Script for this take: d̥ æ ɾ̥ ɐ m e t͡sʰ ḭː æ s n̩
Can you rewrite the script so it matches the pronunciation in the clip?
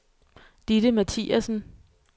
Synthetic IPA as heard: d̥ i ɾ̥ ə m æ t͡sʰ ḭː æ s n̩